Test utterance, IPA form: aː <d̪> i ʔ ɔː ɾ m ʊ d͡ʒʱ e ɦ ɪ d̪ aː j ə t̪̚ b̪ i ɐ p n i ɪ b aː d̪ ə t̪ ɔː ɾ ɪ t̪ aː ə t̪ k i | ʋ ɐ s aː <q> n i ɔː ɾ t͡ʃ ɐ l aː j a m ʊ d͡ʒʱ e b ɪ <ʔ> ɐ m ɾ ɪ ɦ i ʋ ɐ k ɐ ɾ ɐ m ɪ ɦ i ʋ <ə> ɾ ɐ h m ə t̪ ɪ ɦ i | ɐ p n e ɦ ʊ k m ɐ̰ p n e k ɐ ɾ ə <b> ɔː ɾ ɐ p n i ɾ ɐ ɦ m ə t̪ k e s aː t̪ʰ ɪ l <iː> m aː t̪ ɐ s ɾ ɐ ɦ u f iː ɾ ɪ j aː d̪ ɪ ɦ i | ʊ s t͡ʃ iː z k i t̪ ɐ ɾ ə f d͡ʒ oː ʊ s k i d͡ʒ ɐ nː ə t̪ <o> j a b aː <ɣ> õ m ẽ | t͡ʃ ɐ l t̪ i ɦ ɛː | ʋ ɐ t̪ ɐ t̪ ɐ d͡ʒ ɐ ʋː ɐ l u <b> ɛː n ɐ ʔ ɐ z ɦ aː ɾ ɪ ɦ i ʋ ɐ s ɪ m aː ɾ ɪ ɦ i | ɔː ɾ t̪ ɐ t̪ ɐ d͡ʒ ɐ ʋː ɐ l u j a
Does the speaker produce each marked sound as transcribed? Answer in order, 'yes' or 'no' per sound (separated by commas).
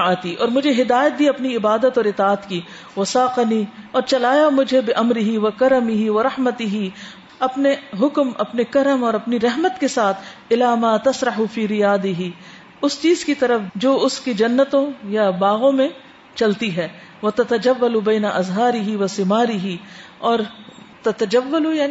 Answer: no, yes, yes, no, no, no, no, yes, yes